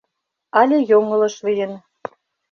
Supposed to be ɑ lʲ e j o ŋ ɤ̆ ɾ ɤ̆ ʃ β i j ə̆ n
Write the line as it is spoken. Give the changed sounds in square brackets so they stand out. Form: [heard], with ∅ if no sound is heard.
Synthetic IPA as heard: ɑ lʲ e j o ŋ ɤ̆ [l] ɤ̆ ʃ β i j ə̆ n